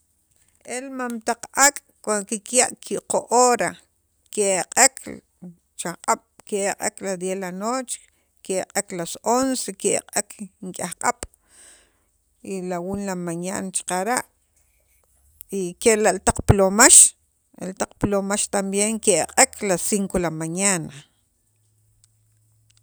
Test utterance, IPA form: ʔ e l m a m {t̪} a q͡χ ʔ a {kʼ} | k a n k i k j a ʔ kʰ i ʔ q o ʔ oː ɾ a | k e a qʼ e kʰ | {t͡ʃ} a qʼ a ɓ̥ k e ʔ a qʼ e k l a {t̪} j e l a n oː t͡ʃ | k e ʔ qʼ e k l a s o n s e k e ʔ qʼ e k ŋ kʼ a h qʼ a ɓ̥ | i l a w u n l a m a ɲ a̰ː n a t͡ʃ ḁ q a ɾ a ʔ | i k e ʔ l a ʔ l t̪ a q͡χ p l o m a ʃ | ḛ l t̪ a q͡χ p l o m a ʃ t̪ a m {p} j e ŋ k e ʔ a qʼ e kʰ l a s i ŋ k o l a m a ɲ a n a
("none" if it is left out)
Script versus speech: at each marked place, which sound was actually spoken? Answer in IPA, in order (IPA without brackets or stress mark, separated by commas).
t̪, kʼ, t͡ʃ, d̪, b